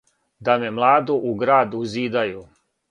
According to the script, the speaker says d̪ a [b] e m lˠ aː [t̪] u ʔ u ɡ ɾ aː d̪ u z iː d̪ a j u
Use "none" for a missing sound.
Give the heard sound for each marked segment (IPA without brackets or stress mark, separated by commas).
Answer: m, d̪